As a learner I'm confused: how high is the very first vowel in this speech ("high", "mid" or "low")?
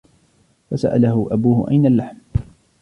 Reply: low